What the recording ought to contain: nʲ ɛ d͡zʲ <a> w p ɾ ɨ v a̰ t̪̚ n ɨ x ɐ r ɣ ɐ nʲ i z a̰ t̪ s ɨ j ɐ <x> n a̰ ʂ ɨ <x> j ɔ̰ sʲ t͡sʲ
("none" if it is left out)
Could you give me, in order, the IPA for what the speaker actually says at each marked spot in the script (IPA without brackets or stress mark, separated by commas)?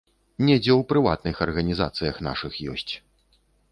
ɛ, x, x